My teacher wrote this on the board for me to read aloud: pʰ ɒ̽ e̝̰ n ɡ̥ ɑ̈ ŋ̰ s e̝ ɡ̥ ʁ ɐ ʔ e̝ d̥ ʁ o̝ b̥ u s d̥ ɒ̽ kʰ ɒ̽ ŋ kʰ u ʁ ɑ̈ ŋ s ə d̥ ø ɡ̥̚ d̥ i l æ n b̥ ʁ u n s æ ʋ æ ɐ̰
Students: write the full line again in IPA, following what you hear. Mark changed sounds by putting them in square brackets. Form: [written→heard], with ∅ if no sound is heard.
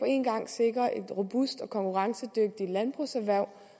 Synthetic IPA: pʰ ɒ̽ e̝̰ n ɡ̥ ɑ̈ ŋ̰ s e̝ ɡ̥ ʁ ɐ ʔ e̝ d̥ ʁ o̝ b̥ u s d̥ ɒ̽ kʰ ɒ̽ ŋ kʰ u ʁ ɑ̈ ŋ s ə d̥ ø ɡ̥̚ d̥ i l æ n b̥ ʁ u [n→∅] s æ ʋ æ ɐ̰